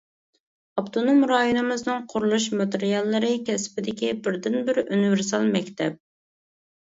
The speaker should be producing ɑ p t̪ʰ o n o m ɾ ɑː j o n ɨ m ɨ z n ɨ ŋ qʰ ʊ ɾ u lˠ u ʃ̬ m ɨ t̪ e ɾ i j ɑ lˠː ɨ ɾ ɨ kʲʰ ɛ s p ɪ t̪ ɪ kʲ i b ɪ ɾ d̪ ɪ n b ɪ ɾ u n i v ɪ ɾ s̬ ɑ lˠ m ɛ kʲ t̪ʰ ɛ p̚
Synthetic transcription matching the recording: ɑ p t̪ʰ o n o m ɾ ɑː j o n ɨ m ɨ z n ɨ ŋ qʰ ʊ ɾ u lˠ u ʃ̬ m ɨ t̪ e ɾ i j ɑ lˠː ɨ ɾ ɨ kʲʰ ɛ s p ɪ d̪ ɪ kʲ i b ɪ ɾ d̪ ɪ n b ɪ ɾ u n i v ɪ ɾ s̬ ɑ lˠ m ɛ kʲ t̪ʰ ɛ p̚